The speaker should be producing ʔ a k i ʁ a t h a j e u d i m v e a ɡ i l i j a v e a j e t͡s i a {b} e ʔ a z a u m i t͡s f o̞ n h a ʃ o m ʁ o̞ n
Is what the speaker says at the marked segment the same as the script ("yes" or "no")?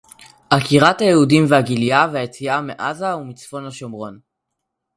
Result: no